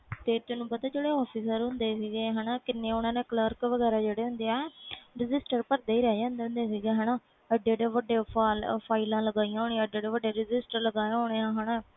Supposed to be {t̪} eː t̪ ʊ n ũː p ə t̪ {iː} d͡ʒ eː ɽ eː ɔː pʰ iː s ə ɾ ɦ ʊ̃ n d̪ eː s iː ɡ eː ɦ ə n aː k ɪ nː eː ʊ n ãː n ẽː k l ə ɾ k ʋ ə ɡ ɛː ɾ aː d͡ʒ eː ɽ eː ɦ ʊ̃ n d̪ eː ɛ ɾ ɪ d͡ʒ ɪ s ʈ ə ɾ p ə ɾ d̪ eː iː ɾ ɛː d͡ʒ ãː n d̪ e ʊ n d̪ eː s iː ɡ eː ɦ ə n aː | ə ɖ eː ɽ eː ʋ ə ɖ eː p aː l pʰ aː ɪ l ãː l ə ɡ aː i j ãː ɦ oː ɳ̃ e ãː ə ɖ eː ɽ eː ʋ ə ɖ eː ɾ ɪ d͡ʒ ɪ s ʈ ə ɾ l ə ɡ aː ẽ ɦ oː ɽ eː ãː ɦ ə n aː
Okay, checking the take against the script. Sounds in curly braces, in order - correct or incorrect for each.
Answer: correct, incorrect: aː

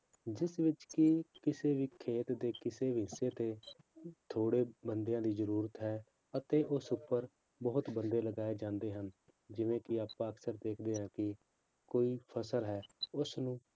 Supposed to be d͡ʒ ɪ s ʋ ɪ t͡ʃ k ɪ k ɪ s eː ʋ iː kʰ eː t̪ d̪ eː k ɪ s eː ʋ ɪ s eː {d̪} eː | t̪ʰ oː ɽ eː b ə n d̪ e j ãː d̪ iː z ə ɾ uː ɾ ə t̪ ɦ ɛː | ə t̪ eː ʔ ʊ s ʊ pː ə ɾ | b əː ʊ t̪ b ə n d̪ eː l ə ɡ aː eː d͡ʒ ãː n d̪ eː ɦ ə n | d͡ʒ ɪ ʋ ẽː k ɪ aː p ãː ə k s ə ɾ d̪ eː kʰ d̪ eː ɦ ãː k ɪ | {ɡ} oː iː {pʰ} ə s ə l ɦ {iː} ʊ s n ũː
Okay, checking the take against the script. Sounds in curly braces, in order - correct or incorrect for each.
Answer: incorrect: t̪, incorrect: k, correct, incorrect: ɛː

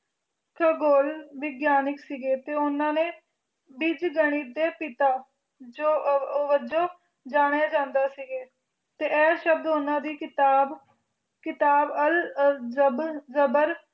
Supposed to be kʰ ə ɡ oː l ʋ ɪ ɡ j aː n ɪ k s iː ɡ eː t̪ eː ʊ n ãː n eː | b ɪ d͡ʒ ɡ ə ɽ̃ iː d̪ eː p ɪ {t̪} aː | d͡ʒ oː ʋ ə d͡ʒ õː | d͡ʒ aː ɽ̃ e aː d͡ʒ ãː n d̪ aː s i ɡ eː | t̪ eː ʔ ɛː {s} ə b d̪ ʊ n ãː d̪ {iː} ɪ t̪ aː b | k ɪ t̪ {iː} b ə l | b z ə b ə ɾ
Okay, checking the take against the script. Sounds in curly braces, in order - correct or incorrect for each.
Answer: correct, incorrect: ʃ, correct, incorrect: aː

